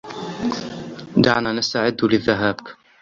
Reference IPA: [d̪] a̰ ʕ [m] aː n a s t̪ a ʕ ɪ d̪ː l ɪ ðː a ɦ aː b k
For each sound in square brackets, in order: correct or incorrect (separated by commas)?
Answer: correct, incorrect